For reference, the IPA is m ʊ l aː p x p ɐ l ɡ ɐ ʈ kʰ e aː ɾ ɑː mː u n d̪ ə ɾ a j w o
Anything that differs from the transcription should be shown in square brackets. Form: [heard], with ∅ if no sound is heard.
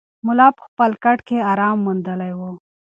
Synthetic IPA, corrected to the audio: m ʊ l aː p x p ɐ l [k] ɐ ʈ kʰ e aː ɾ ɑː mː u n d̪ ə [l] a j w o